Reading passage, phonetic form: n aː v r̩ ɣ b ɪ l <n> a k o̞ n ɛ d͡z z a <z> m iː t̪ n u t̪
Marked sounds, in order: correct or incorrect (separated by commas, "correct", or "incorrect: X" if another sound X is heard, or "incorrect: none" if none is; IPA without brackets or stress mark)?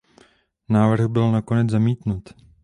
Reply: correct, incorrect: none